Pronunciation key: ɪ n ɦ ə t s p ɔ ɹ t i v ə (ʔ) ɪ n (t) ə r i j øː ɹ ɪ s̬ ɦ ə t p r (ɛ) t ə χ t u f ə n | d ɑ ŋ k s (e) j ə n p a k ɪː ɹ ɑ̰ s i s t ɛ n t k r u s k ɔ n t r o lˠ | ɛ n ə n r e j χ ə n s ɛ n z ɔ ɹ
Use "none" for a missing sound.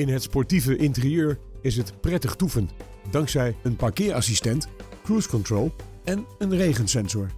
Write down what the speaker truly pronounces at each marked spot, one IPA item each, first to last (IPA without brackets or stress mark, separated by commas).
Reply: ʔ, t, ɛ, ɛ